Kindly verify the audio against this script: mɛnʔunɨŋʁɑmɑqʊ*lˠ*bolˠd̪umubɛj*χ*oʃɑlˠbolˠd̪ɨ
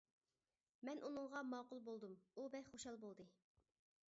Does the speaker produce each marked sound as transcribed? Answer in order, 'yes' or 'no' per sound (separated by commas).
yes, yes